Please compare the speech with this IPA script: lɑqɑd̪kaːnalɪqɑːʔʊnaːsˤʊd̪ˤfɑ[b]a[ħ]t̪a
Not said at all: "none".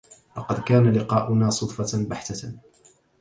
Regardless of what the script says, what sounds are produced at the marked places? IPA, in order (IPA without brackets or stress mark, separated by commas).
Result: b, ħ